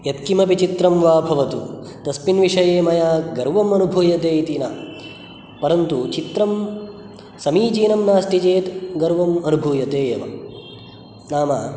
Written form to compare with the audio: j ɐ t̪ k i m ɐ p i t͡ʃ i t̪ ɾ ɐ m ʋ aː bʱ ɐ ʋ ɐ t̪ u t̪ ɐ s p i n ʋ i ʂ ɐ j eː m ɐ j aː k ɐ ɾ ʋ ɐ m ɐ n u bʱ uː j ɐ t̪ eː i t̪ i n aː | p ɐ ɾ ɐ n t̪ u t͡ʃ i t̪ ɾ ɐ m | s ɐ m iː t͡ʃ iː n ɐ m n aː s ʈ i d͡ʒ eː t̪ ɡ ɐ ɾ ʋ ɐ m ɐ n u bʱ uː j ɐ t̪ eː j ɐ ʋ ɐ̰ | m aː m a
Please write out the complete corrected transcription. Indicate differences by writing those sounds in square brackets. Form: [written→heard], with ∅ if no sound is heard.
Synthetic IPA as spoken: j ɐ t̪ k i m ɐ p i t͡ʃ i t̪ ɾ ɐ m ʋ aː bʱ ɐ ʋ ɐ t̪ u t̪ ɐ s p i n ʋ i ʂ ɐ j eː m ɐ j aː [k→ɡ] ɐ ɾ ʋ ɐ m ɐ n u bʱ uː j ɐ t̪ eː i t̪ i n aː | p ɐ ɾ ɐ n t̪ u t͡ʃ i t̪ ɾ ɐ m | s ɐ m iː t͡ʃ iː n ɐ m n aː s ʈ i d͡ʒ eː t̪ ɡ ɐ ɾ ʋ ɐ m ɐ n u bʱ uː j ɐ t̪ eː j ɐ ʋ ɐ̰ | [m→n] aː m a